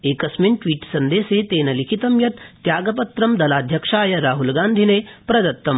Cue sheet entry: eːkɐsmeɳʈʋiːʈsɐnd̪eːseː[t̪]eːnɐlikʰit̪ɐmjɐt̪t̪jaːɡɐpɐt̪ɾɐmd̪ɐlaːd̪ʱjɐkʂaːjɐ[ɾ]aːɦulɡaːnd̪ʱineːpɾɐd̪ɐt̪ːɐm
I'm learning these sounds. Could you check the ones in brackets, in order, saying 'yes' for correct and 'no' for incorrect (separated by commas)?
yes, yes